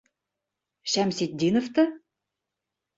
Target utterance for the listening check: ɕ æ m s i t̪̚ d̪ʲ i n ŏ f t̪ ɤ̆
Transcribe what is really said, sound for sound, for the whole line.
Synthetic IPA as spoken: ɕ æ m s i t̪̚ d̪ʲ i n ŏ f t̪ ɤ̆